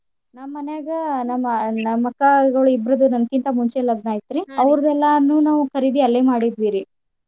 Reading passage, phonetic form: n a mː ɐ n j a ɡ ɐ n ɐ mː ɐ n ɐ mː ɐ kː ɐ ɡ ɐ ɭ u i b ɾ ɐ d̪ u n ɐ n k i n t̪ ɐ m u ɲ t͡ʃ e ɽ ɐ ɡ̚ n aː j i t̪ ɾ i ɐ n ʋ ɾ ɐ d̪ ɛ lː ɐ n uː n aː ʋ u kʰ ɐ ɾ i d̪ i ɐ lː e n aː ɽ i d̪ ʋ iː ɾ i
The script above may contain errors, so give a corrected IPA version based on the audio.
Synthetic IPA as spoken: n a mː ɐ n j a ɡ ɐ n ɐ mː ɐ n ɐ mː ɐ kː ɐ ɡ ɐ ɭ u i b ɾ ɐ d̪ u n ɐ n k i n t̪ ɐ m u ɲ t͡ʃ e l ɐ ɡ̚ n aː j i t̪ ɾ i ɐ ʋ ɾ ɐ d̪ ɛ lː ɐ n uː n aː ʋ u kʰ ɐ ɾ i d̪ i ɐ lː e m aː ɽ i d̪ ʋ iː ɾ i